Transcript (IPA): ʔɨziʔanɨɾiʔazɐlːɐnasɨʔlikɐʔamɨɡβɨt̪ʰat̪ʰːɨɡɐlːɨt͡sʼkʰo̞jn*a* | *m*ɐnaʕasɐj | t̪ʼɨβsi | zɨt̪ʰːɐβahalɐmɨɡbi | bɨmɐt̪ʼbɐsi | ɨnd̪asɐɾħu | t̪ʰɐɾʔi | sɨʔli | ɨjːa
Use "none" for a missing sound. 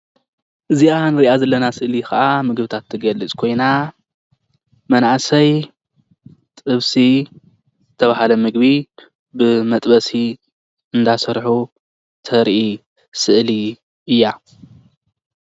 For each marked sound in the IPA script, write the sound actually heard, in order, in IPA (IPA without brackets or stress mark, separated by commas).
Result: a, m